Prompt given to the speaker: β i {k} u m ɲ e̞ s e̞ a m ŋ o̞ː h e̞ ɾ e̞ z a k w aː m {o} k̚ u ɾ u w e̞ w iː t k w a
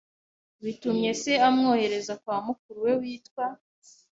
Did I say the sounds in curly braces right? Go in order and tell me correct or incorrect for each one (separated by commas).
incorrect, incorrect